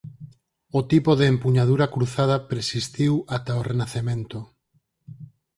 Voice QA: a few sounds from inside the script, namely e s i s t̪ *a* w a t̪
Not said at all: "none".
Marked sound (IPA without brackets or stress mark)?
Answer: i